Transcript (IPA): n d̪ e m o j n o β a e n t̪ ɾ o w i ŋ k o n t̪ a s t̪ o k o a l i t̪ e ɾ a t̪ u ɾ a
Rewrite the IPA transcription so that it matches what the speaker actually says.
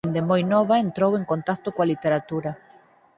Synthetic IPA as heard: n d̪ e m o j n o β a e n t̪ ɾ o w e ŋ k o n t̪ a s t̪ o k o a l i t̪ e ɾ a t̪ u ɾ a

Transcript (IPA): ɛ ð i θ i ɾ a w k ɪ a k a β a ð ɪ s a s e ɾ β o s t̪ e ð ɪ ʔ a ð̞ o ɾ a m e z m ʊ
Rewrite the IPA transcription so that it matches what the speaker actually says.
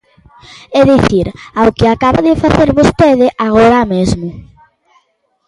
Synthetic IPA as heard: ɛ ð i θ i ɾ a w k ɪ a k a β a ð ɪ f a θ e ɾ β o s t̪ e ð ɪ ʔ a ɣ̞ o ɾ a m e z m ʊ

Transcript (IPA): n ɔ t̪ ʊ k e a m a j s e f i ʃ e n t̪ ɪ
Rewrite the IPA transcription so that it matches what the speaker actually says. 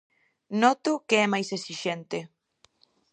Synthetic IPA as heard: n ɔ t̪ ʊ k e ɛ m a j s e s i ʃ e n t̪ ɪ

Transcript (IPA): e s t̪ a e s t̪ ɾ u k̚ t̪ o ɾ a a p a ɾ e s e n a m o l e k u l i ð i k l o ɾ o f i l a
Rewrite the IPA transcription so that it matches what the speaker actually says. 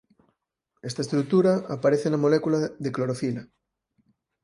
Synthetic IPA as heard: e s t̪ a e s t̪ ɾ u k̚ t̪ u ɾ a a p a ɾ e θ e n a m o l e k u l a ð e k l o ɾ o f i l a

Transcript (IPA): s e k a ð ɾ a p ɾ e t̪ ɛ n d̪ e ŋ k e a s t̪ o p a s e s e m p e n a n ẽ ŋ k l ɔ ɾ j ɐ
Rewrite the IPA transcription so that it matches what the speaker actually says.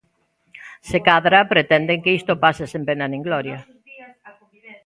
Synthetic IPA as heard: s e k a ð ɾ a p ɾ e t̪ ɛ n d̪ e ŋ k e i s t̪ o p a s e s e m p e n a n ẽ ŋ ɡ l ɔ ɾ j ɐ

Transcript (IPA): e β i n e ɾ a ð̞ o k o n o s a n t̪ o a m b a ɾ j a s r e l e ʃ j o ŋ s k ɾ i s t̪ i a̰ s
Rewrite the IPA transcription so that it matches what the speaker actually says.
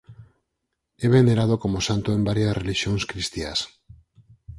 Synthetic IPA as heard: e β e n e ɾ a ð̞ o k o m o s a n t̪ o e m b a ɾ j a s r e l i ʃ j o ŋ s k ɾ i s t̪ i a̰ s

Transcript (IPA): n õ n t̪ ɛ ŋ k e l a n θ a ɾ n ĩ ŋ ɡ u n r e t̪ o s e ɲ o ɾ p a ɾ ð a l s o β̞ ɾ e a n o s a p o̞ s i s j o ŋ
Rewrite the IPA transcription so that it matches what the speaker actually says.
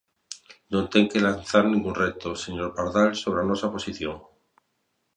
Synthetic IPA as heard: n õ n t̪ e ŋ k e l a n θ a ɾ n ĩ ŋ ɡ u n r e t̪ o s e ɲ o ɾ p a ɾ ð a l s o β̞ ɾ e a n o s a p o̞ s i θ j o ŋ

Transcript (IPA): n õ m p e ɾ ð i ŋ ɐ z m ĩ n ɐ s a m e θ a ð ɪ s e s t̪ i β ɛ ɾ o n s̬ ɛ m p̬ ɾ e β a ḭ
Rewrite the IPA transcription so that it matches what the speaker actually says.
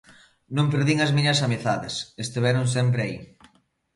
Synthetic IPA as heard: n õ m p e ɾ ð i ŋ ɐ z m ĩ ɲ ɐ s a m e θ a ð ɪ s e s t̪ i β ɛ ɾ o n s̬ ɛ m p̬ ɾ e a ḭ

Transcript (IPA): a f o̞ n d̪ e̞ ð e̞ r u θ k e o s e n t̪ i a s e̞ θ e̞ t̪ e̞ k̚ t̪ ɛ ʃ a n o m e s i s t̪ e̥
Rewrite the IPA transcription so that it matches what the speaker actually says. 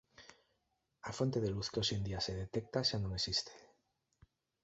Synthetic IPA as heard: a f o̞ n t̪ e̞ ð e̞ l u θ k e o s e n d̪ i a s e̞ ð e̞ t̪ e̞ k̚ t̪ a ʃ a n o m e s i s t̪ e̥

